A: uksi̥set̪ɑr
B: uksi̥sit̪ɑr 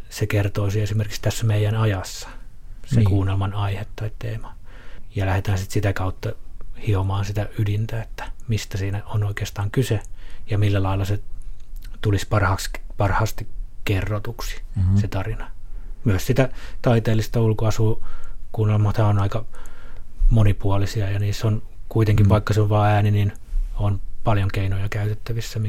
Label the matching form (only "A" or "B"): A